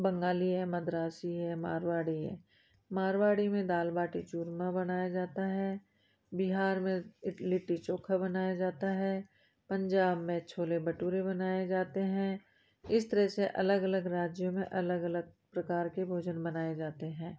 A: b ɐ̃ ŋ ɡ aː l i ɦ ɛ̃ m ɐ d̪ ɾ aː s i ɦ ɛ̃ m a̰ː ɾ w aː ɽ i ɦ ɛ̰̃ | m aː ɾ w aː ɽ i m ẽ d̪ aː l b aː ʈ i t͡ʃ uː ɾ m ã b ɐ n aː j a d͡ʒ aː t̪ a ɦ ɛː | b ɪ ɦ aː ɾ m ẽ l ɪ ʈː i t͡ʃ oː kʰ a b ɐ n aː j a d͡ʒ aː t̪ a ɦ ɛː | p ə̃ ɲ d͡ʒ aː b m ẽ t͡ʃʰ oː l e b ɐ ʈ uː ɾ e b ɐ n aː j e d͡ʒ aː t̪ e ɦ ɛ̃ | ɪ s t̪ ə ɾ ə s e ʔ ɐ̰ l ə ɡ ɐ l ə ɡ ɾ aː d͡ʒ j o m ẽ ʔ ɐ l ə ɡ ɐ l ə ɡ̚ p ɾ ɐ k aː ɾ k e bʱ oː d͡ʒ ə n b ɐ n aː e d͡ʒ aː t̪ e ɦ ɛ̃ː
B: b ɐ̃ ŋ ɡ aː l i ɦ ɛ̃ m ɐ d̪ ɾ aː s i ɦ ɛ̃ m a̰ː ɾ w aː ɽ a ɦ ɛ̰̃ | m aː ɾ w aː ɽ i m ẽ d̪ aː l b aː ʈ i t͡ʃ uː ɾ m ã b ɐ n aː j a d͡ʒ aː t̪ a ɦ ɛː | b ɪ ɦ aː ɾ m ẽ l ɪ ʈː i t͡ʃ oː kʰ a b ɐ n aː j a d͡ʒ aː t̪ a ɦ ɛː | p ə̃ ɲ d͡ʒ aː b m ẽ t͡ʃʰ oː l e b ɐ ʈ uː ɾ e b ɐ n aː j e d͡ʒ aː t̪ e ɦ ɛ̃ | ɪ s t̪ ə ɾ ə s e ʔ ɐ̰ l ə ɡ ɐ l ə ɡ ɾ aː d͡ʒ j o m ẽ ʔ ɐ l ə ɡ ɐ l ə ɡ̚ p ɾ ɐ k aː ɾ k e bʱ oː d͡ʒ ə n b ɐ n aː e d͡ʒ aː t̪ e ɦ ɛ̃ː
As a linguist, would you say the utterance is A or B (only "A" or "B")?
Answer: A